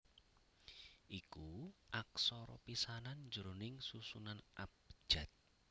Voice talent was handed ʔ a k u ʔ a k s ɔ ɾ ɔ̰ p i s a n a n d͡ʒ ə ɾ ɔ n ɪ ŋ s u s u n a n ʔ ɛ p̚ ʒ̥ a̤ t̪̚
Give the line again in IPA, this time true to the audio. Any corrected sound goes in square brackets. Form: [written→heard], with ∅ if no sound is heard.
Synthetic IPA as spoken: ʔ [a→i] k u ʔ a k s ɔ ɾ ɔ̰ p i s a n a n d͡ʒ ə ɾ [ɔ→o] n ɪ ŋ s u s u n a n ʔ [ɛ→a] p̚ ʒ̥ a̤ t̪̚